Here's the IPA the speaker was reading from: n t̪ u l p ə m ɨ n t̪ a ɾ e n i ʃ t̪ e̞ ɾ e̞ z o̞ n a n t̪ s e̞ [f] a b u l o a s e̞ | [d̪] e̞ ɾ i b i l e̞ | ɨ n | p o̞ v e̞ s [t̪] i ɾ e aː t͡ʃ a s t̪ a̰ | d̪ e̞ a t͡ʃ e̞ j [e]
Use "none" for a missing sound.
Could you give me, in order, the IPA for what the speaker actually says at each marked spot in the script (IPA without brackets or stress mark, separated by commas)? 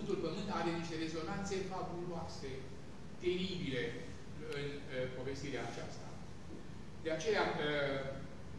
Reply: f, t̪, t̪, a